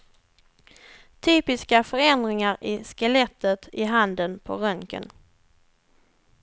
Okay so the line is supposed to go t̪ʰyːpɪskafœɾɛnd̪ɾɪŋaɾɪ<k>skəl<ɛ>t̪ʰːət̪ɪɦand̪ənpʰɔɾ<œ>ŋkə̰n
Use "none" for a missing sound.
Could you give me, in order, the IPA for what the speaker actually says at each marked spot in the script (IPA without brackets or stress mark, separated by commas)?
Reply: none, ɛ, œ